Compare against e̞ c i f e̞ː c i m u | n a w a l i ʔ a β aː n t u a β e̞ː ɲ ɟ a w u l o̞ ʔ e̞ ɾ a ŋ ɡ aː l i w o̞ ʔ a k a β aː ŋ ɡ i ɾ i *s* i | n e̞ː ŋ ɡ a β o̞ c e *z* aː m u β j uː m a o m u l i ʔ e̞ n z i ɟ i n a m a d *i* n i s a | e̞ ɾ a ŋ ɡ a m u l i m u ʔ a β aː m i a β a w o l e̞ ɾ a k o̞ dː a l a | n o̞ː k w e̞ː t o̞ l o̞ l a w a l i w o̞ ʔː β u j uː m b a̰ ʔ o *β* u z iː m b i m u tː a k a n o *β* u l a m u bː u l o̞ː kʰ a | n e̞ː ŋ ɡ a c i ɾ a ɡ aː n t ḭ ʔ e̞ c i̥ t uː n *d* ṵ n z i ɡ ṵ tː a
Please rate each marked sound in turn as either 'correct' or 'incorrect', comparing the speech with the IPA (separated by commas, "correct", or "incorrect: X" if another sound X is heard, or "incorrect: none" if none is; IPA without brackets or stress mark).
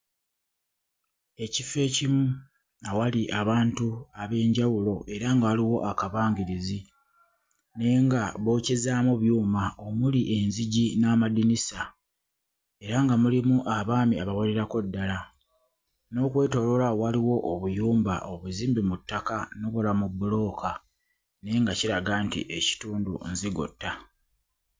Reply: incorrect: z, correct, correct, correct, correct, correct